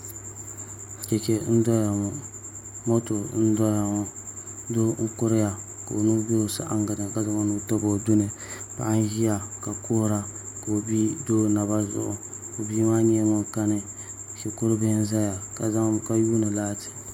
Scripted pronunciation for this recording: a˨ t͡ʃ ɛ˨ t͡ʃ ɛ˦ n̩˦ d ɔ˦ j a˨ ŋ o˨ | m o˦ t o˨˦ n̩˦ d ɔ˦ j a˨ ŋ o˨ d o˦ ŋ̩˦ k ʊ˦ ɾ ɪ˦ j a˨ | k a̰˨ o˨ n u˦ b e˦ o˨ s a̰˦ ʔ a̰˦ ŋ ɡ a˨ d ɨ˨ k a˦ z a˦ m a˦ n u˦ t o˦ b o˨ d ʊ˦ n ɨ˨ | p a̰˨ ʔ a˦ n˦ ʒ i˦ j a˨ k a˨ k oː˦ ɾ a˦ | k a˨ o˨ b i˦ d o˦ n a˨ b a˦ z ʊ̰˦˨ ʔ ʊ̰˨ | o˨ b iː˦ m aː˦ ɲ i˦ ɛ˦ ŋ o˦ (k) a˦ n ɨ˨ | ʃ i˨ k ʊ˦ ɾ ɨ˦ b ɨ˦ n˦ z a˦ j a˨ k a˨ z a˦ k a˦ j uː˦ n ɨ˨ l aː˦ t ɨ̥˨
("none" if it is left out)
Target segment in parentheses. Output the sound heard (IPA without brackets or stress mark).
k